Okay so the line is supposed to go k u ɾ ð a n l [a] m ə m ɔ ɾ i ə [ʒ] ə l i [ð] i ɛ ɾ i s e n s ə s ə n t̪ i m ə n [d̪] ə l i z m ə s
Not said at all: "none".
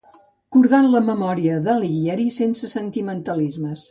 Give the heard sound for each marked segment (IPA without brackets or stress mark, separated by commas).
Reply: ə, ð, ɣ, t̪